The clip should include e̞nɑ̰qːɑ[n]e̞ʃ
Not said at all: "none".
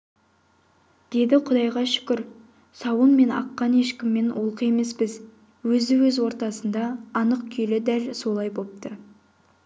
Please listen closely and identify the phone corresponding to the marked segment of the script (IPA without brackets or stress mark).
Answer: n